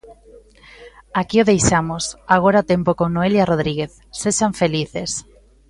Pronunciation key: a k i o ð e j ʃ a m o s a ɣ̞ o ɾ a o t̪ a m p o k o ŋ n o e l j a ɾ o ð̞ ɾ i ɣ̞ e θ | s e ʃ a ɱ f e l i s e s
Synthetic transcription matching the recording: a k i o ð e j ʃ a m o s a ɣ̞ o ɾ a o t̪ e m p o k o ŋ n o e l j a r o ð̞ ɾ i ɣ̞ e θ | s e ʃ a ɱ f e l i θ e s